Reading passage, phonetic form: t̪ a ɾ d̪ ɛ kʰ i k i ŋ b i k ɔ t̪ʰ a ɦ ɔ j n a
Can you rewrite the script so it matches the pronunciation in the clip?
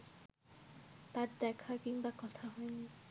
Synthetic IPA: t̪ a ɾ d̪ ɛ kʰ a k i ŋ b a k ɔ t̪ʰ a ɦ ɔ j n i